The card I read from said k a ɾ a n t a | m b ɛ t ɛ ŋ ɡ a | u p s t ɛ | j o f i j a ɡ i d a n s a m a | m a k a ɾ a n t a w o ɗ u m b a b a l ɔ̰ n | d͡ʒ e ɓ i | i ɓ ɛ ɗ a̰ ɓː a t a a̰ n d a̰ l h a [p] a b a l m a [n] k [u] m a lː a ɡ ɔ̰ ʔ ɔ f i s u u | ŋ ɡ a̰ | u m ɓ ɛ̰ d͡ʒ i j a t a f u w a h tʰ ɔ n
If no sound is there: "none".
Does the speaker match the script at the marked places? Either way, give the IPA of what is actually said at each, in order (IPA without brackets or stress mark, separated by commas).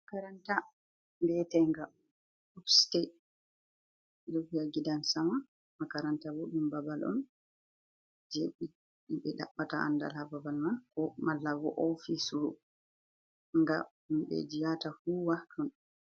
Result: b, n, ɔ